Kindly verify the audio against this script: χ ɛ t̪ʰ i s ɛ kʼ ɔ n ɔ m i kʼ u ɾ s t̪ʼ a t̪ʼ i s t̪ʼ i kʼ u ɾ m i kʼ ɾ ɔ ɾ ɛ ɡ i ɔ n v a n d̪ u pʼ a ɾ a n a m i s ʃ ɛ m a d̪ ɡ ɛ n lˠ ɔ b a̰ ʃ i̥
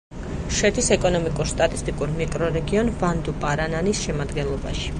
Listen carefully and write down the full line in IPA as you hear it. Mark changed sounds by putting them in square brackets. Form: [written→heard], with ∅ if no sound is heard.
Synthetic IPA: [χ→ʃ] ɛ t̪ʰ i s ɛ kʼ ɔ n ɔ m i kʼ u ɾ s t̪ʼ a t̪ʼ i s t̪ʼ i kʼ u ɾ m i kʼ ɾ ɔ ɾ ɛ ɡ i ɔ n v a n d̪ u pʼ a ɾ a n a [m→n] i s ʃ ɛ m a d̪ ɡ ɛ n lˠ ɔ b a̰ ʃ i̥